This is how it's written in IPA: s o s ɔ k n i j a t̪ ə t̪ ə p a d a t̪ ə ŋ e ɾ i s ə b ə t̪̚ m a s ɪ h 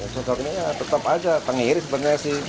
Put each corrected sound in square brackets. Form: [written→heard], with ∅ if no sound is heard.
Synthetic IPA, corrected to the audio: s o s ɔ k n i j a t̪ ə t̪ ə p a [d→d͡ʒ] a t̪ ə ŋ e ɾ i s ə b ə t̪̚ [m→ɲ] a s ɪ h